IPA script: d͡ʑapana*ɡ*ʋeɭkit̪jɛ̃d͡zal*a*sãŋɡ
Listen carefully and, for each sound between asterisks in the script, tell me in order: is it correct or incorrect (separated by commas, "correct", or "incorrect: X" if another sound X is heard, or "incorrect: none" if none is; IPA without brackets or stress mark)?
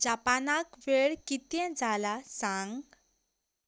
incorrect: k, correct